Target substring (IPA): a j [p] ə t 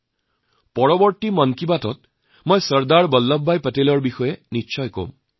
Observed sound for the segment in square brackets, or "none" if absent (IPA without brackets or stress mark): p